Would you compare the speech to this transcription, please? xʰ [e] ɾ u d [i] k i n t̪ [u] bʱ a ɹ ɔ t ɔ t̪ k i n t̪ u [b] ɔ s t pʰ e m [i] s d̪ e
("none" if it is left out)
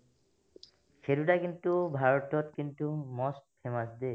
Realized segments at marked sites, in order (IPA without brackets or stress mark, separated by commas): e, a, u, m, a